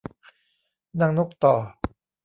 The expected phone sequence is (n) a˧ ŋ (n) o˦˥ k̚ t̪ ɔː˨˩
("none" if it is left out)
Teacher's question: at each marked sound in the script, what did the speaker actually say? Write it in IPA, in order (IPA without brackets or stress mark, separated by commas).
n, n